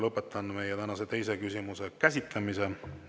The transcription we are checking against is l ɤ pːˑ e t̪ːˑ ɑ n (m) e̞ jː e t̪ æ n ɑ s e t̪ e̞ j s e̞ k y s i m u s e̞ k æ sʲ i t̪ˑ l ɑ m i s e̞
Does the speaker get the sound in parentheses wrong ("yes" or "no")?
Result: no